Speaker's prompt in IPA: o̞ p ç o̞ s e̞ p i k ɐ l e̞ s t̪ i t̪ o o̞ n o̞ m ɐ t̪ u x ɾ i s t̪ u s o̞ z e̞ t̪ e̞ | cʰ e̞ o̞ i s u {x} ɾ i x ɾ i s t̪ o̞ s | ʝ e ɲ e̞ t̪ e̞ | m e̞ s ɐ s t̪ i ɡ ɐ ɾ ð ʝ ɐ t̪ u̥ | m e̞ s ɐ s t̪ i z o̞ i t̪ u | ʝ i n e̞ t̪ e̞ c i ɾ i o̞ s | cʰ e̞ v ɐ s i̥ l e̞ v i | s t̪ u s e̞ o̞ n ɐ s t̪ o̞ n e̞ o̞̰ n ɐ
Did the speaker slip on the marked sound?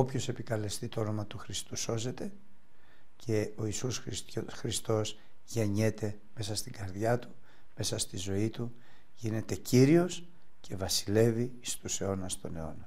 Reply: yes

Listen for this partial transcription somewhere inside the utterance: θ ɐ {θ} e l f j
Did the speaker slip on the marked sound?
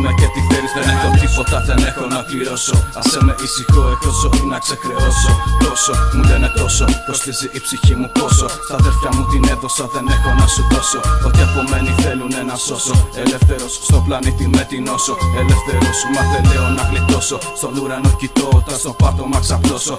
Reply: yes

